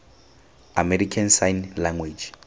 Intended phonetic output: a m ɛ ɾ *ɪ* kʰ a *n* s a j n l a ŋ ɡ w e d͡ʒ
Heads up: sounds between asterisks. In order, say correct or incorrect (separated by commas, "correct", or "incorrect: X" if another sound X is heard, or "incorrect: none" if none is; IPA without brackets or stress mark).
incorrect: i, correct